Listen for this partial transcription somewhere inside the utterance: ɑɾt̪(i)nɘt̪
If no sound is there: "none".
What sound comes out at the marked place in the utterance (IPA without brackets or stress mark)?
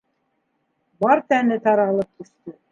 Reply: æ